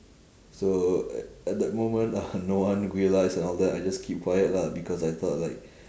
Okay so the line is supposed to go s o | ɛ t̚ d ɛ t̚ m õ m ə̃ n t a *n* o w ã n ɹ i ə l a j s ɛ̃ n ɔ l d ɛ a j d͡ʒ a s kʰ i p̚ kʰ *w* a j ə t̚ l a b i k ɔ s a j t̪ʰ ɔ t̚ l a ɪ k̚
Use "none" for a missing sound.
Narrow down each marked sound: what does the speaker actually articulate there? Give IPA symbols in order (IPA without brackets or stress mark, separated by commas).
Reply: n, w